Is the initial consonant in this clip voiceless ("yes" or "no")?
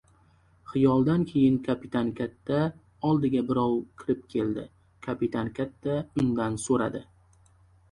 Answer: yes